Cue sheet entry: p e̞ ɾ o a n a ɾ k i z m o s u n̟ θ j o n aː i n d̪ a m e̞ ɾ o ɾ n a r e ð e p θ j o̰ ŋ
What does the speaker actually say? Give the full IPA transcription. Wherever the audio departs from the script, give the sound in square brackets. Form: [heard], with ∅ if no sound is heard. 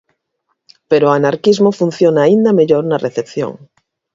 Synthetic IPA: p e̞ ɾ o a n a ɾ k i z m o [f] u n̟ θ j o n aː i n d̪ a m e̞ [ʎ] o ɾ n a r e [θ] e p θ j o̰ ŋ